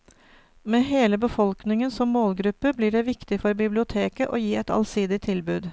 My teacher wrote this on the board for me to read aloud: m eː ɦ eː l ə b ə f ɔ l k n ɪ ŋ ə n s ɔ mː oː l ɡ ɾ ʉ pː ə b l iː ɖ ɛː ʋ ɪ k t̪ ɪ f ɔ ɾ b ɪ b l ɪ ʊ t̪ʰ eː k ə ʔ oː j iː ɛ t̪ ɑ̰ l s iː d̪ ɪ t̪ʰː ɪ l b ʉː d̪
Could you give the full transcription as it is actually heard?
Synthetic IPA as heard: m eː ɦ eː l ə b ə f ɔ l k n ɪ ŋ ə n s ɔ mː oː l ɡ ɾ ʉ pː ə b l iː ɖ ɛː ʋ ɪ k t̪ ɪ f ɔ ɾ b ɪ b l ɪ ʊ t̪ʰ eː k ə ʔ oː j iː ɛ t̪ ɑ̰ l s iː d̪ ɪ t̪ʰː ɪ l b ʉː d̪